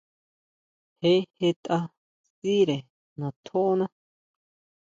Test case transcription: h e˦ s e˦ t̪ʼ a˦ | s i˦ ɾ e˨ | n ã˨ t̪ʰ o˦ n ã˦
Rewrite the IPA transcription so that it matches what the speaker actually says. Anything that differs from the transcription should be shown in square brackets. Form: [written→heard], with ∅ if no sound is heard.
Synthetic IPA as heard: h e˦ [s→h] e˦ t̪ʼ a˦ | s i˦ ɾ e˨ | n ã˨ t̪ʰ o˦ n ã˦